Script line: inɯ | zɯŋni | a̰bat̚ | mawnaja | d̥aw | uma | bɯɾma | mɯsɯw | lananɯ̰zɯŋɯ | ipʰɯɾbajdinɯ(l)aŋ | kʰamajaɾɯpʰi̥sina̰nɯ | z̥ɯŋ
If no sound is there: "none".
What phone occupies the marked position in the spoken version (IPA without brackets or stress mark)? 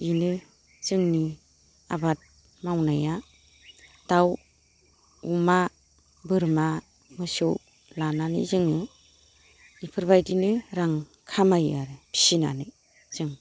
ɾ